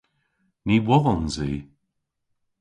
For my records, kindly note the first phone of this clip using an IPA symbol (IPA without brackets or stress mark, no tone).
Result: n